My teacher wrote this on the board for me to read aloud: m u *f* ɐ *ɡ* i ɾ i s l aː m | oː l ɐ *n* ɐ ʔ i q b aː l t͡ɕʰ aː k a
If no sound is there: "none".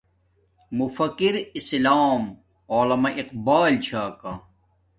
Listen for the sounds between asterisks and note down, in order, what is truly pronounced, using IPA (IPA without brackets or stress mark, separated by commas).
f, k, m